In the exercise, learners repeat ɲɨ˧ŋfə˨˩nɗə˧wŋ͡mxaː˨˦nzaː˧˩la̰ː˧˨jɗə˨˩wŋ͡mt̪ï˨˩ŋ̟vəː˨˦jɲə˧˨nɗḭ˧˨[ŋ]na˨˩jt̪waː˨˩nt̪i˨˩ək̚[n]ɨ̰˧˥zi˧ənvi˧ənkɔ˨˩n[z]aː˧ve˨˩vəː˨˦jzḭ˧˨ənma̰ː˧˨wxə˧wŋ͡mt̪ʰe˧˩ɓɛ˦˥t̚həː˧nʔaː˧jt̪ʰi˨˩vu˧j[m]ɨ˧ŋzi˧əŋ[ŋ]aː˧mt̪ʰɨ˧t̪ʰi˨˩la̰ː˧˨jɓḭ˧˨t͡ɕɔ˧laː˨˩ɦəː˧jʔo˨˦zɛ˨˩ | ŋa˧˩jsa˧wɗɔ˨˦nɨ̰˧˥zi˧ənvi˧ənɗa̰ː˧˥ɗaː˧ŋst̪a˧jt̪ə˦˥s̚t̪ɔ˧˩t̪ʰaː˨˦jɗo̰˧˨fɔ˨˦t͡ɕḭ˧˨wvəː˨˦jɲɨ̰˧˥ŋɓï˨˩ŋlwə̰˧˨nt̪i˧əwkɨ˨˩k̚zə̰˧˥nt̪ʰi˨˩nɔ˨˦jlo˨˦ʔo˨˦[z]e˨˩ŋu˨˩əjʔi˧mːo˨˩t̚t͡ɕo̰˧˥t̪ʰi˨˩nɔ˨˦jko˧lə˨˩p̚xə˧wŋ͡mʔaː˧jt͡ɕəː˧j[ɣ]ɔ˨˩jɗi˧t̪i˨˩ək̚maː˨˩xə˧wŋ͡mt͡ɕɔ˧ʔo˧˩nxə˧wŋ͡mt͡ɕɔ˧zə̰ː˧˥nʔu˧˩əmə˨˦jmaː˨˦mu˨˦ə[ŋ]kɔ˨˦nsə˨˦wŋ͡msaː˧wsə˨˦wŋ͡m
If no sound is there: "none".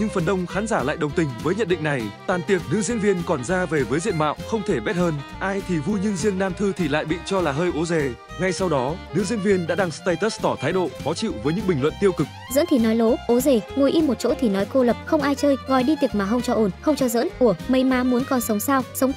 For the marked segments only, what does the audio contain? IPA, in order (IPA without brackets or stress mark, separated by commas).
ŋ, n, z, ɲ, n, z, ɣ, n